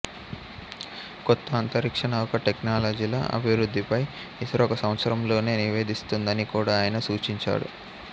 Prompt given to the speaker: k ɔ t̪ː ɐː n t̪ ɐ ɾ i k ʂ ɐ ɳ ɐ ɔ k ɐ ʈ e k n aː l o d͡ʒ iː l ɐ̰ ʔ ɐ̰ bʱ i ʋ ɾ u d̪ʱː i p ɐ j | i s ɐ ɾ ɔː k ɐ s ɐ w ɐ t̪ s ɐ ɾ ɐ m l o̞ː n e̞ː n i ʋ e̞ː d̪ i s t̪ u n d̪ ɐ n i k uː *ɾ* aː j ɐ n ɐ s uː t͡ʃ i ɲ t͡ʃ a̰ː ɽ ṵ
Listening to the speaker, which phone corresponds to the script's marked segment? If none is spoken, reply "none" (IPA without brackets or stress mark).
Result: ɽ